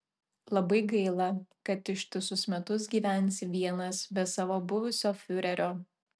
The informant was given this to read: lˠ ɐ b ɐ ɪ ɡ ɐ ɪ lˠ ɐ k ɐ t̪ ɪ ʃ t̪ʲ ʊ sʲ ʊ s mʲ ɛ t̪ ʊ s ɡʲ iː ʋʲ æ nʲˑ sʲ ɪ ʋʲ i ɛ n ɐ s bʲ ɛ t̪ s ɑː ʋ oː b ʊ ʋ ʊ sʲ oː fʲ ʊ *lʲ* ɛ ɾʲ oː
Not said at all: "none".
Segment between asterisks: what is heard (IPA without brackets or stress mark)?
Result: ɾʲ